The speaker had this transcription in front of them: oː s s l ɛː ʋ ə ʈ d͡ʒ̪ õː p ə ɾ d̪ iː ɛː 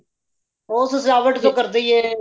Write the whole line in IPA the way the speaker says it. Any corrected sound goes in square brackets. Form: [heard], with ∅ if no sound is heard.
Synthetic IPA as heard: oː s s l [aː] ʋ ə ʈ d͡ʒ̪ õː [k] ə ɾ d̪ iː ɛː